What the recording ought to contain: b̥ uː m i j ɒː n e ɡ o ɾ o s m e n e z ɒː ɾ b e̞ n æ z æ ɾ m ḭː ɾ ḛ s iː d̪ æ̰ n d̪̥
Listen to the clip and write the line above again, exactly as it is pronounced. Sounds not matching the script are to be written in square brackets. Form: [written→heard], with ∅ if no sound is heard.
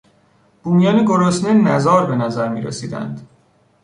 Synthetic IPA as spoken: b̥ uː m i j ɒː n e ɡ o ɾ o s [m→n] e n [e→æ] z ɒː ɾ b e̞ n æ z æ ɾ m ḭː ɾ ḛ s iː d̪ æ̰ n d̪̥